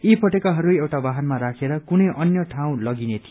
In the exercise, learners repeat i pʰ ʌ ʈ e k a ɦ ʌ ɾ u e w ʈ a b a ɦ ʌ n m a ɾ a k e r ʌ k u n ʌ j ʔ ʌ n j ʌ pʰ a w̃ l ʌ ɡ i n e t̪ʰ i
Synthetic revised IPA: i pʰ ʌ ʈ e k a ɦ ʌ ɾ u e w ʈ a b a ɦ ʌ n m a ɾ a kʰ e ɾ ʌ k u n ʌ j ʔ ʌ n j ʌ ʈʰ a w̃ l ʌ ɡ i n e t̪ʰ i